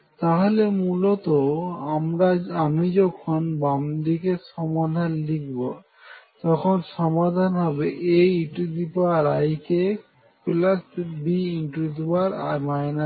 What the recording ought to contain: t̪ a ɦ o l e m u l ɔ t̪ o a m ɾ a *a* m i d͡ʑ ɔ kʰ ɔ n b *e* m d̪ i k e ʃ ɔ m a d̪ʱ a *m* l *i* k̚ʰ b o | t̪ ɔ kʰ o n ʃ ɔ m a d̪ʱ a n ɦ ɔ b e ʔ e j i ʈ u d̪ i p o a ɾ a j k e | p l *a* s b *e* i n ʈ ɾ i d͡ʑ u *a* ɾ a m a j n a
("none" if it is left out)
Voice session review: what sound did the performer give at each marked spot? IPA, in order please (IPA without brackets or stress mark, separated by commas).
a, a, n, i, a, i, a